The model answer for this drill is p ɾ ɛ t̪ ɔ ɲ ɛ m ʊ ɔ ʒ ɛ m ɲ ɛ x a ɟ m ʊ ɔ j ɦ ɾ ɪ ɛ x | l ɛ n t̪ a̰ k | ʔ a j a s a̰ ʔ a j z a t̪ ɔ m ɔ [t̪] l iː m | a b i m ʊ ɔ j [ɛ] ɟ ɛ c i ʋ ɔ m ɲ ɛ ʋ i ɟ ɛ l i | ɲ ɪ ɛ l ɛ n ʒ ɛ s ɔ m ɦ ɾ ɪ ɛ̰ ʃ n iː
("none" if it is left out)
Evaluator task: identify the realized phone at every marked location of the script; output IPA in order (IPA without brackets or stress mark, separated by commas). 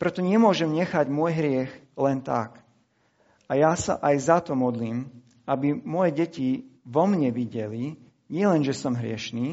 d̪, ɛ